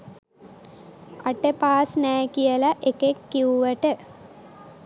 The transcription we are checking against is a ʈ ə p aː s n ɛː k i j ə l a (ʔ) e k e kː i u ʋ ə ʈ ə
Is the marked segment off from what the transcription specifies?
no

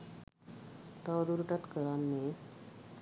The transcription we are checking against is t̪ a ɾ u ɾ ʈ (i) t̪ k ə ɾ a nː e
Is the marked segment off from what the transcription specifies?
yes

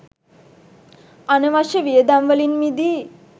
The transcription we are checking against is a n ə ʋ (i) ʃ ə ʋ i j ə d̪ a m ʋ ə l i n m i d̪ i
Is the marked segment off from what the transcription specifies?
yes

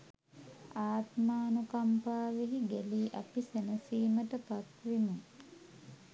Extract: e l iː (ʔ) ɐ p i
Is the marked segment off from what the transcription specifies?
no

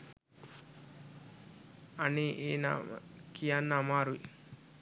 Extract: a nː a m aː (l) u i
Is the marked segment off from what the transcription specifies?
yes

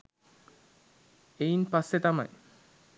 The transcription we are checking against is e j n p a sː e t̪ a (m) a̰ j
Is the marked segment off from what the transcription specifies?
no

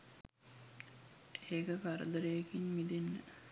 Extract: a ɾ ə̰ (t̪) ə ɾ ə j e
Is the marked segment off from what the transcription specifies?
yes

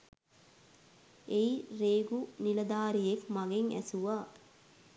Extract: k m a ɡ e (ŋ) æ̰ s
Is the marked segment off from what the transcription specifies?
no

